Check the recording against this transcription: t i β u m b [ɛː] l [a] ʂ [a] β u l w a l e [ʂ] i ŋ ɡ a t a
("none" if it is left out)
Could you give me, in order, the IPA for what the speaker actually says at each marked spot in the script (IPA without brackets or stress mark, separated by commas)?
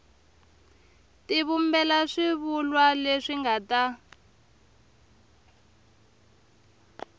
ɛ, a, i, ʂ